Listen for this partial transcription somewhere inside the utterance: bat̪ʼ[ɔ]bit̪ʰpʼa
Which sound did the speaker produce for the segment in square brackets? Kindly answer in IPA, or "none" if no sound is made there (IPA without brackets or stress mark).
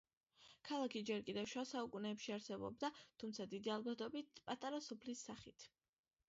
ɔ